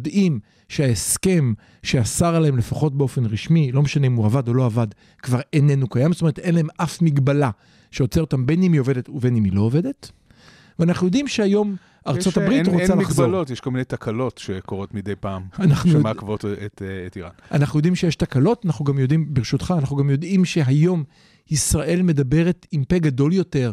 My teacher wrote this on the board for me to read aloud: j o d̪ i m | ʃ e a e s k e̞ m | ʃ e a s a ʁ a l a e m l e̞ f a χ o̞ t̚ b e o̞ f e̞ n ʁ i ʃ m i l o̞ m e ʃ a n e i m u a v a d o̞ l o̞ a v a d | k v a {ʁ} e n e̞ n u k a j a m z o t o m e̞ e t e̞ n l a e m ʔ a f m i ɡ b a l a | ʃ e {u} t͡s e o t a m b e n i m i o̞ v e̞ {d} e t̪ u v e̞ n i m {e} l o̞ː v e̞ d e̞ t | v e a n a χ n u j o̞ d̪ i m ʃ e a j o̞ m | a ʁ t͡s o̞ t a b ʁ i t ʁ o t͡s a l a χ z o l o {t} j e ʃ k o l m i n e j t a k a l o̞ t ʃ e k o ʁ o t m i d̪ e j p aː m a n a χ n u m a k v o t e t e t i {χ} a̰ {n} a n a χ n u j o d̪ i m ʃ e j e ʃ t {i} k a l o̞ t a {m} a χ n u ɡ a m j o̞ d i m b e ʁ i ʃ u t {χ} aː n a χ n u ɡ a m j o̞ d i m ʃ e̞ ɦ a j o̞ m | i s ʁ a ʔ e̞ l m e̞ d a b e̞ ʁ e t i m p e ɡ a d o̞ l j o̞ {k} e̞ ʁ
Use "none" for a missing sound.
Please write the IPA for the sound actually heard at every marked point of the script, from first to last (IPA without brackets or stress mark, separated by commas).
ʁ, o, d, i, t, ʁ, n, a, n, χ, t